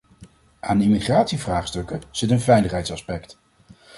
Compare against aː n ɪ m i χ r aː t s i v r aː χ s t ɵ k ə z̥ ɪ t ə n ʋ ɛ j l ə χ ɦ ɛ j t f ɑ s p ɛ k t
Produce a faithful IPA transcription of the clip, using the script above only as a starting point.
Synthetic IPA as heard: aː n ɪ m i χ r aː t s i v r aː χ s t ɵ k ə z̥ ɪ t ə n v ɛ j l ə χ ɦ ɛ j t s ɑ s p ɛ k t